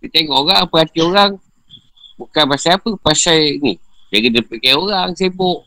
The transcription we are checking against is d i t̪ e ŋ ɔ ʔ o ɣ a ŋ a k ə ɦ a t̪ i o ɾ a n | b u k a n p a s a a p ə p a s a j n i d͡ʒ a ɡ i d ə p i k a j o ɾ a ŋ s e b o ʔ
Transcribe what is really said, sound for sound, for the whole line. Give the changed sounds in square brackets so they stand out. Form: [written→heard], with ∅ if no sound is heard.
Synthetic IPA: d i t̪ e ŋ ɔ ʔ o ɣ a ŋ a [k→p] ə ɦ a t̪ i o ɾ a [n→ŋ] | b u k a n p a s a a p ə p a s a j n i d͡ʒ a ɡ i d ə p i k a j o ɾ a ŋ s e b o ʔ